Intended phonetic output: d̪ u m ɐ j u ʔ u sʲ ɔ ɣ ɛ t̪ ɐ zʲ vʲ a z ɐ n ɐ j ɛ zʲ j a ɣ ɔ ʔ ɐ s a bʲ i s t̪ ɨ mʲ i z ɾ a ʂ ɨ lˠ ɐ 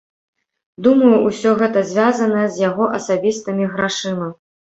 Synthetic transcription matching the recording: d̪ u m ɐ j u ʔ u sʲ ɔ ɣ ɛ t̪ ɐ zʲ vʲ a z ɐ n ɐ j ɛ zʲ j a ɣ ɔ ʔ ɐ s a bʲ i s t̪ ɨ mʲ i ɣ ɾ a ʂ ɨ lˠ ɐ